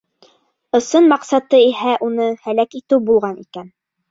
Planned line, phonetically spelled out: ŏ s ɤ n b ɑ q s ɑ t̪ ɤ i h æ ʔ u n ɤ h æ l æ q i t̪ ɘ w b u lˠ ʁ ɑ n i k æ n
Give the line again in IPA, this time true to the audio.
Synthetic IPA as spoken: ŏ s ɤ n m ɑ q s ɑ t̪ ɤ i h æ ʔ u n ɤ h æ l æ k i t̪ ɘ w b u lˠ ʁ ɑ n i k æ n